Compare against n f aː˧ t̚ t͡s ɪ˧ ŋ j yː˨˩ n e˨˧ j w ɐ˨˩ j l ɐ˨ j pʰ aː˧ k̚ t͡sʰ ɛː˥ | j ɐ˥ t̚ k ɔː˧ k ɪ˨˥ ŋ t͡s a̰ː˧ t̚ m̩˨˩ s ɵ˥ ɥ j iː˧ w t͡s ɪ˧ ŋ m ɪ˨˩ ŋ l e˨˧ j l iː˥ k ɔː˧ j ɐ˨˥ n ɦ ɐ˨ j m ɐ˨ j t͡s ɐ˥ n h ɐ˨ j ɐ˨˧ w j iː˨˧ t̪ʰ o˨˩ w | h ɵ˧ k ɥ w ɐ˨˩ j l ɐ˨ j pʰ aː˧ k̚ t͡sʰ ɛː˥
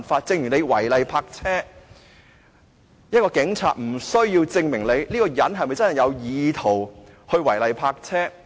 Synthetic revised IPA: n f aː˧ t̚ t͡s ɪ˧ ŋ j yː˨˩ n e˨˧ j w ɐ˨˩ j l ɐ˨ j pʰ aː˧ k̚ t͡sʰ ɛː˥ | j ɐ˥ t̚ k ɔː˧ k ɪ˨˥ ŋ t͡sʰ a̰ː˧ t̚ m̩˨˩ s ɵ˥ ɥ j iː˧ w t͡s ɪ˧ ŋ m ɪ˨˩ ŋ l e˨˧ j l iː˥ k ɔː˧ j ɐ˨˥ n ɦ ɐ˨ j m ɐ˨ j t͡s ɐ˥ n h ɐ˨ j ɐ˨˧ w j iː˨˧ t̪ʰ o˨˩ w | h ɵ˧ ɥ w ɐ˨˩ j l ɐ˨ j pʰ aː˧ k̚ t͡sʰ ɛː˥